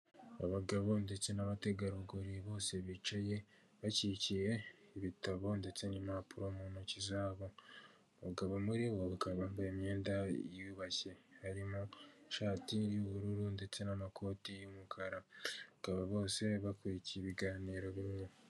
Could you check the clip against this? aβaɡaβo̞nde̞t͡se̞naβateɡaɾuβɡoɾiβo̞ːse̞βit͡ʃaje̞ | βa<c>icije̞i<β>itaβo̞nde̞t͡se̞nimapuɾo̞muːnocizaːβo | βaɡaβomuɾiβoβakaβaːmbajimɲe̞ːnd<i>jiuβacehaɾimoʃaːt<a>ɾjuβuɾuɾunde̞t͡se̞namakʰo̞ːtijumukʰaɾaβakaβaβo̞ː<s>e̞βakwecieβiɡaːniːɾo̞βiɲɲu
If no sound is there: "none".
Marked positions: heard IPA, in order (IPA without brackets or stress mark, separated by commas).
c, β, a, i, s